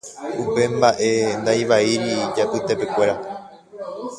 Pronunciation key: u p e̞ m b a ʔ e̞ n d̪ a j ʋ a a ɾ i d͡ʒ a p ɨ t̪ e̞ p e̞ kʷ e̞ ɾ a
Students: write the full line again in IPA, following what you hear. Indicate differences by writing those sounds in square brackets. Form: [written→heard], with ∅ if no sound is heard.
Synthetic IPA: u p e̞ m b a ʔ e̞ n d̪ a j ʋ a [a→i] ɾ i d͡ʒ a p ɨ t̪ e̞ p e̞ kʷ e̞ ɾ a

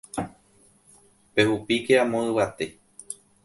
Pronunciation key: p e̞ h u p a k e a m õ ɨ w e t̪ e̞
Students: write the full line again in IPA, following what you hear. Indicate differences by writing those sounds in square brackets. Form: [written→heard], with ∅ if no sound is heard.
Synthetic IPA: p e̞ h u p [a→i] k e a m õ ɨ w [e→a] t̪ e̞

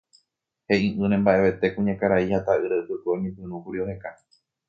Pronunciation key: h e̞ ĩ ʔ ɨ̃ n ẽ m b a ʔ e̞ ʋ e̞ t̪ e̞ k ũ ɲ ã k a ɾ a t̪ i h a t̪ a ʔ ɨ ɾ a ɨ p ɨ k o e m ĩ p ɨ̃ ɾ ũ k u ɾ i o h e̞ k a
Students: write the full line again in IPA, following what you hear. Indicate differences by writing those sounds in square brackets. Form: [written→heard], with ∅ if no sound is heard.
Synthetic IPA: h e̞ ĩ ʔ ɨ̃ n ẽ m b a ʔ e̞ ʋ e̞ t̪ e̞ k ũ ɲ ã k a ɾ a [t̪→∅] i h a t̪ a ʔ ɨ ɾ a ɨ p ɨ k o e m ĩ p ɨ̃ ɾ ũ k u ɾ i o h e̞ k a

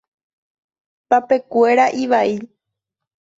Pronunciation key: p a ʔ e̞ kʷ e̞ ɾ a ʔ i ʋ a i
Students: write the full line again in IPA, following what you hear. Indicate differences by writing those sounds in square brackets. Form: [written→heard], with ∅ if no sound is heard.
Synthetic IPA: p a [ʔ→p] e̞ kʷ e̞ ɾ a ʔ i ʋ a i

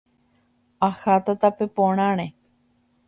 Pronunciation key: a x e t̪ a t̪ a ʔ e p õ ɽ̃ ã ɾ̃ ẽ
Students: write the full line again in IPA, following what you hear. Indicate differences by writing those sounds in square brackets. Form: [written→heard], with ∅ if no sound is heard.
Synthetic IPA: a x [e→a] t̪ a t̪ a [ʔ→p] e p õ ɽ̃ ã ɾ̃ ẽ

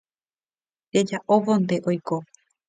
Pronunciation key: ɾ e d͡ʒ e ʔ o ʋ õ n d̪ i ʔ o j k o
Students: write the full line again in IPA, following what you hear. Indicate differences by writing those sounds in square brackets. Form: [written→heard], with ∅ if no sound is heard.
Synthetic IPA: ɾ e d͡ʒ [e→a] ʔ o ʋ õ n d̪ [i→e] ʔ o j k o

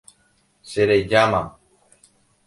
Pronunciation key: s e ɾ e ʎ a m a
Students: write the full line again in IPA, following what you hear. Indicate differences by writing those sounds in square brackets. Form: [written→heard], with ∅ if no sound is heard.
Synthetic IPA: s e ɾ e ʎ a m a

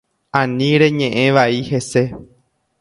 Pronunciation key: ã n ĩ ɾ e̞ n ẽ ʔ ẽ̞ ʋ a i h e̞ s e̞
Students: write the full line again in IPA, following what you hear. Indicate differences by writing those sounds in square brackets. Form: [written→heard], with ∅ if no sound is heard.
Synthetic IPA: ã n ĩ ɾ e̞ [n→ɲ] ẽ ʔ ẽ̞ ʋ a i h e̞ s e̞

